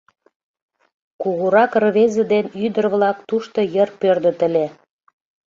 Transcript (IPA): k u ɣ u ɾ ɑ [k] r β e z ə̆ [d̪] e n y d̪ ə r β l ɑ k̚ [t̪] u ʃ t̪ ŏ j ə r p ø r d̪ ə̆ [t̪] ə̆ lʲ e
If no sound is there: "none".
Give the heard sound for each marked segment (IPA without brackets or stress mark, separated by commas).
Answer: k, d̪, t̪, t̪